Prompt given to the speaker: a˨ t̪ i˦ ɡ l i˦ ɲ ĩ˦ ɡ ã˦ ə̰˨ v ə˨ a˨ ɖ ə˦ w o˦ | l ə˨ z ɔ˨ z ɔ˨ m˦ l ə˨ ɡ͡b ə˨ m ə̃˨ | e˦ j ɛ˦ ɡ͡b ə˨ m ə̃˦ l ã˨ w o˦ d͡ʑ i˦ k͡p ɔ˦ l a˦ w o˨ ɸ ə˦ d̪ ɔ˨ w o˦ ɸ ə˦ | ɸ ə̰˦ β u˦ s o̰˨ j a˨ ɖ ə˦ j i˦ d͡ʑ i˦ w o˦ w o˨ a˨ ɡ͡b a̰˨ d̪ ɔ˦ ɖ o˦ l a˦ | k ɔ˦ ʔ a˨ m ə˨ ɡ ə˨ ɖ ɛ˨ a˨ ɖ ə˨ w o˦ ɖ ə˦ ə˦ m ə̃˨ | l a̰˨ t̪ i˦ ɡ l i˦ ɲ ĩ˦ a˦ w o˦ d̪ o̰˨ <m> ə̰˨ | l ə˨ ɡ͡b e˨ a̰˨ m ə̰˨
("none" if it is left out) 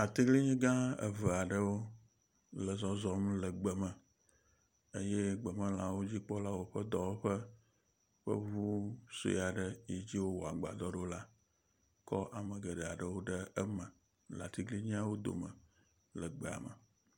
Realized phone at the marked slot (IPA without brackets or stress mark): m